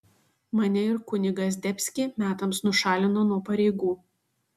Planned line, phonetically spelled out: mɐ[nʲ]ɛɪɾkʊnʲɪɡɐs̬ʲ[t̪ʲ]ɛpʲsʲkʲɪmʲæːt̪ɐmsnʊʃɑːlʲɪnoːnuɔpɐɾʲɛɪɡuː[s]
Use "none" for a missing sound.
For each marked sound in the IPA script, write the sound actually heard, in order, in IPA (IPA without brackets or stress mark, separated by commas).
nʲ, d̪ʲ, none